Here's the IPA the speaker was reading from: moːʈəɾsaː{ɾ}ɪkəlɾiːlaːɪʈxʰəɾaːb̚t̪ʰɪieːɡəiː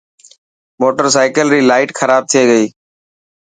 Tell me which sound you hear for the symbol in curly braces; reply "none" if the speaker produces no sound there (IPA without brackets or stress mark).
none